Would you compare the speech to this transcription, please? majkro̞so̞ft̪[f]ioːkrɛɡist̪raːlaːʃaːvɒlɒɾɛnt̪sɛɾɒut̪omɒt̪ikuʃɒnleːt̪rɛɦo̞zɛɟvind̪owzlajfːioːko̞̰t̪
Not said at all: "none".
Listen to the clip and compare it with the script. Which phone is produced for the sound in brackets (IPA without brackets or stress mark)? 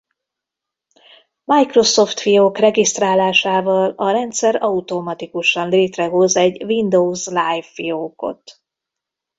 f